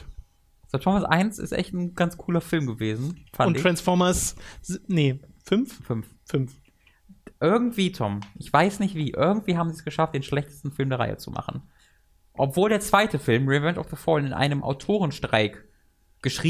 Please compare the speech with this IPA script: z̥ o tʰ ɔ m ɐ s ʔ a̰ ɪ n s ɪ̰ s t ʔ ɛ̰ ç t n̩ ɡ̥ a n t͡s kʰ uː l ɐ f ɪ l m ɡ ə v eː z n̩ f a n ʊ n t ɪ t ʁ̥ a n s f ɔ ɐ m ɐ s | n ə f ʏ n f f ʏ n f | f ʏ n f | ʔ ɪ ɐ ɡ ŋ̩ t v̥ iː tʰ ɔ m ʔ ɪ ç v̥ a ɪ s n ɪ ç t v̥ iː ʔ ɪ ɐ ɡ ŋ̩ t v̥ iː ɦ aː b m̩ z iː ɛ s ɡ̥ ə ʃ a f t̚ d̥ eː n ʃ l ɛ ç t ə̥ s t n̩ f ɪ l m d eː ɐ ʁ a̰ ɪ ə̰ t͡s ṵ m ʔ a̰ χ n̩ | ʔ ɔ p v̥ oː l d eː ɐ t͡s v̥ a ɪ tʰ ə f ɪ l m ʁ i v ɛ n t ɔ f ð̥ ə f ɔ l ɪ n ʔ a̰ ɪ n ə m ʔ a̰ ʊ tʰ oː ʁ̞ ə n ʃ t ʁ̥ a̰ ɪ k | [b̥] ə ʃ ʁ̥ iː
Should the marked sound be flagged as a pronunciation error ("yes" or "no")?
yes